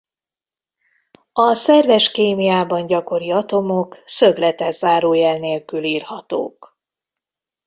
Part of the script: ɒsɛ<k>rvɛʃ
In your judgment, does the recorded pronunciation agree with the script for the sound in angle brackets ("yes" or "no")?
no